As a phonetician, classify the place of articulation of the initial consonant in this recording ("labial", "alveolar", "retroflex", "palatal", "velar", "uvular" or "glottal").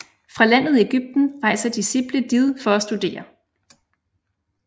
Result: labial